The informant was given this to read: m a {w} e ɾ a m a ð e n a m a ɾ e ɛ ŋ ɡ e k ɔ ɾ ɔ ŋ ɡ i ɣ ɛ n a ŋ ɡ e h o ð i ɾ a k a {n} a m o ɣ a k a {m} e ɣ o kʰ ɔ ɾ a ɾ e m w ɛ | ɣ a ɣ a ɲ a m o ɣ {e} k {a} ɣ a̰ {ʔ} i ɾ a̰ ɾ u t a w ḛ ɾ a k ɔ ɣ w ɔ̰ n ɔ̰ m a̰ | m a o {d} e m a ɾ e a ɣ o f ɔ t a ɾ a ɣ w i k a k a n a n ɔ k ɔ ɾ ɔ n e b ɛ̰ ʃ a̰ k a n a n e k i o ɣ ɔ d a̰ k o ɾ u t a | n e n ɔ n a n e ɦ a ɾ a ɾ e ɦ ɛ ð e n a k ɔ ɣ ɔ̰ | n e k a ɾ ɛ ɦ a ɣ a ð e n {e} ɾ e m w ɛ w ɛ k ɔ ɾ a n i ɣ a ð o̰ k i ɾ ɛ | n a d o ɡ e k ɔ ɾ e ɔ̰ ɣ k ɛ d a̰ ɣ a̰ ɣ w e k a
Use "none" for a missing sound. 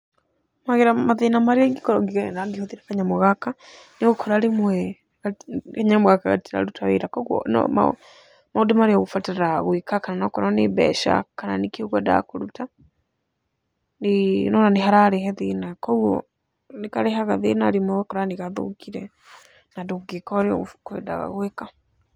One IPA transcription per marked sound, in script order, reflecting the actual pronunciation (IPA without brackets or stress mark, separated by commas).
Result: ɣ, ɲ, n, a, a, t, d, a